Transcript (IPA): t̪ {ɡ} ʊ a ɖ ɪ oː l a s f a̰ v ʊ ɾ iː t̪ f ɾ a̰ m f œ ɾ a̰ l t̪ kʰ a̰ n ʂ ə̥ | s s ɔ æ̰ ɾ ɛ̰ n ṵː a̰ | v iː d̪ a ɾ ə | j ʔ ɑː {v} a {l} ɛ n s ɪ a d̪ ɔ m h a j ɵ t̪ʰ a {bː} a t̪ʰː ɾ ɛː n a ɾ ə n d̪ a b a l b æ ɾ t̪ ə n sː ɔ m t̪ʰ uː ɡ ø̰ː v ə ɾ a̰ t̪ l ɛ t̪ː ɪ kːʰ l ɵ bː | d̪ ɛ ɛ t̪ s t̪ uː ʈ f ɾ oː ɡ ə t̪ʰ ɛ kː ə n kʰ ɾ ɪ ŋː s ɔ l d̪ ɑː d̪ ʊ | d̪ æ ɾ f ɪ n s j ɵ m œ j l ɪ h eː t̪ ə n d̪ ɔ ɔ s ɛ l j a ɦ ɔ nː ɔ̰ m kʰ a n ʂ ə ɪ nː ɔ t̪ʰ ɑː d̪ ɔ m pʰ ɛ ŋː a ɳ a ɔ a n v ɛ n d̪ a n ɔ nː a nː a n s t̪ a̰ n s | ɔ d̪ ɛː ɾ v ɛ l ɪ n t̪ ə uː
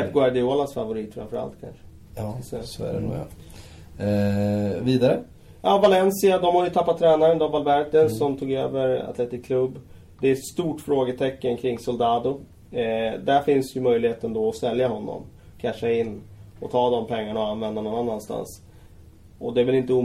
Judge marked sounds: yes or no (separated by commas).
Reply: yes, yes, yes, no